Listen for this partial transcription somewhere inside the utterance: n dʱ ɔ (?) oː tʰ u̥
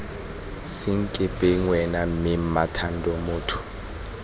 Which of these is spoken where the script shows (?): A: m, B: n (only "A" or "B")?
A